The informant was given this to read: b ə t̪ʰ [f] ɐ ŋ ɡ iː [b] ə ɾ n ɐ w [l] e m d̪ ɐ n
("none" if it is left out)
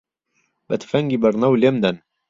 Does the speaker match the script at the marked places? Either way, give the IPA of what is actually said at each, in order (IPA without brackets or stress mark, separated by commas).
f, b, l